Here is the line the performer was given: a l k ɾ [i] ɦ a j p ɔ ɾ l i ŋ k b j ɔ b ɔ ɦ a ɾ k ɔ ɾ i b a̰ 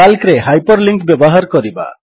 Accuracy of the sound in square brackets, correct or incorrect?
incorrect